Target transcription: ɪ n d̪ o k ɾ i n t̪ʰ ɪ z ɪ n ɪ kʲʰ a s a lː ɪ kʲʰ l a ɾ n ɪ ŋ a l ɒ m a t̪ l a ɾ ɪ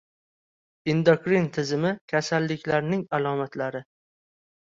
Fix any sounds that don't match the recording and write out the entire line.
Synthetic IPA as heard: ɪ n d̪ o k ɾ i n t̪ʰ ɪ z ɪ m ɪ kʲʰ a s a lː ɪ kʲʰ l a ɾ n ɪ ŋ a l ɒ m a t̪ l a ɾ ɪ